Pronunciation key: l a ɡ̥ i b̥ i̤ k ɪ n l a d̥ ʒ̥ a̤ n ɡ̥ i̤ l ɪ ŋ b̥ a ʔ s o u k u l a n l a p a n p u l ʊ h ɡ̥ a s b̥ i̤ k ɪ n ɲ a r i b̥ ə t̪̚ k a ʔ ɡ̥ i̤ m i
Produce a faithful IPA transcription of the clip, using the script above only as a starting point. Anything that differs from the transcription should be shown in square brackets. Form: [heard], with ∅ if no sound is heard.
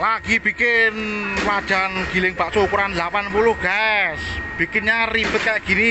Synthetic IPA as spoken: l a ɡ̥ i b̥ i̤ k ɪ n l a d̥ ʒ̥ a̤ n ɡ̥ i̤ l ɪ ŋ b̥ a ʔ s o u k u [ɾ] a n l a p a n p u l ʊ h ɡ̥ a s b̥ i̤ k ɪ n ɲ a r i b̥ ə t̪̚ k a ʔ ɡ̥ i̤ [n] i